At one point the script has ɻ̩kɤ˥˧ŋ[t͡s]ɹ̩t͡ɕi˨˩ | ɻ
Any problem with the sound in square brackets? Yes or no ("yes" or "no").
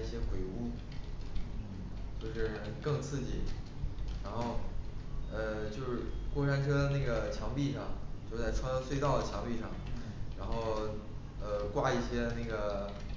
yes